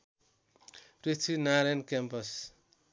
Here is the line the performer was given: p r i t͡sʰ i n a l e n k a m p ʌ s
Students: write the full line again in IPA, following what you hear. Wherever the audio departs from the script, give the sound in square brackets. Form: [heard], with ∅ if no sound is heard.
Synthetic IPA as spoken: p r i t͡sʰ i n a [ɾ] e n k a m p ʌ s